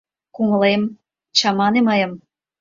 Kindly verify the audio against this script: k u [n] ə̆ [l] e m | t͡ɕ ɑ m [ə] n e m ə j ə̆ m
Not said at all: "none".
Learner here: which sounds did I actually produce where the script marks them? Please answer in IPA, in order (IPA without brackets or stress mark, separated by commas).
ŋ, l, ɑ